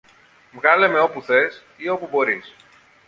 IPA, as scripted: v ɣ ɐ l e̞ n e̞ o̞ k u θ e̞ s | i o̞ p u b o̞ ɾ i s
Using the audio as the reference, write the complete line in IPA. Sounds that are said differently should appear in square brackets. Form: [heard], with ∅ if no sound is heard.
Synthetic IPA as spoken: v ɣ ɐ l e̞ [m] e̞ o̞ [p] u θ e̞ s | i o̞ p u b o̞ ɾ i s